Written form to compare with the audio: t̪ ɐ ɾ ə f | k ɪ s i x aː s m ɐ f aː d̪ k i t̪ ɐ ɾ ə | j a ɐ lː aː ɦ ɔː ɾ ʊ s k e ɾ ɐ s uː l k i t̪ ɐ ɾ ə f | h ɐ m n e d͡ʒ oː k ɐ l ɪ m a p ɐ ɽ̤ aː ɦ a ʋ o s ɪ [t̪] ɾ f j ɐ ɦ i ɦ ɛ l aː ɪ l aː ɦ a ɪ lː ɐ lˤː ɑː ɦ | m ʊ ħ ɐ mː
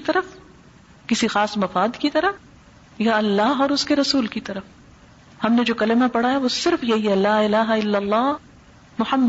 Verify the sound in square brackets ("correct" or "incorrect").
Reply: incorrect